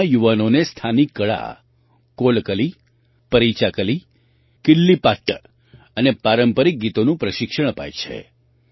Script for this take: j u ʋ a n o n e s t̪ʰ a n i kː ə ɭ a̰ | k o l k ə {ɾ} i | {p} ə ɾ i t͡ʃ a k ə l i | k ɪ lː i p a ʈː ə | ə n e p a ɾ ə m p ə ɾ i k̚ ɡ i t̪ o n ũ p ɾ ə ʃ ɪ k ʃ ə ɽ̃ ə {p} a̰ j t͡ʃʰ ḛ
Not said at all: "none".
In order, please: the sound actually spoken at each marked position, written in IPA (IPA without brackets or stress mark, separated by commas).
l, p, p